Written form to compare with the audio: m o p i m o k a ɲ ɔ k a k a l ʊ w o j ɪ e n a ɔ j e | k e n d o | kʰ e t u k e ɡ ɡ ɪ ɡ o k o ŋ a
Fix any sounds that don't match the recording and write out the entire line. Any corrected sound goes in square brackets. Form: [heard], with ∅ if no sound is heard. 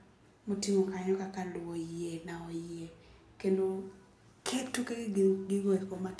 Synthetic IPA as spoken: m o [t] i m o k a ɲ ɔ k a k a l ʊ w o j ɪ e n a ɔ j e | k e n d o | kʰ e t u k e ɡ ɡ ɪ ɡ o k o [m] a